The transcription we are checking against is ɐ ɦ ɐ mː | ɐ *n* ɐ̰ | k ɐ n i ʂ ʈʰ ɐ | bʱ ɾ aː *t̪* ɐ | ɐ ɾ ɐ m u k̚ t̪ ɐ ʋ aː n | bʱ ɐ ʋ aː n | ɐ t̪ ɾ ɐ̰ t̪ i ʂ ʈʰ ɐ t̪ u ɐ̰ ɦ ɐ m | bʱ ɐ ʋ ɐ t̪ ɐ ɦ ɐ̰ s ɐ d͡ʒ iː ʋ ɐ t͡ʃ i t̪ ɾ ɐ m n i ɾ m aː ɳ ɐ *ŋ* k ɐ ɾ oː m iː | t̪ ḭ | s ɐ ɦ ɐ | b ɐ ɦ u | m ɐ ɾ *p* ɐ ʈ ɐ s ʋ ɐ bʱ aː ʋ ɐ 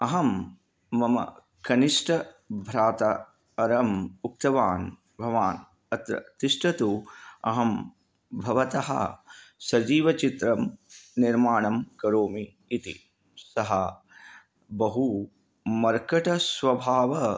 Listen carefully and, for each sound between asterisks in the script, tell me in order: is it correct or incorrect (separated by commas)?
incorrect, correct, incorrect, incorrect